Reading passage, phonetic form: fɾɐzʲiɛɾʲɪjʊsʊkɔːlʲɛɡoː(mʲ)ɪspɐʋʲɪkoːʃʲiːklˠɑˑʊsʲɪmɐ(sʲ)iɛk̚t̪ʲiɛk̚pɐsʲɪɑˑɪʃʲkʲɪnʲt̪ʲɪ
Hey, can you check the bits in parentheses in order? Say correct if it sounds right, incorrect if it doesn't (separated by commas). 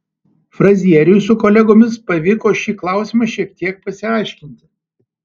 correct, incorrect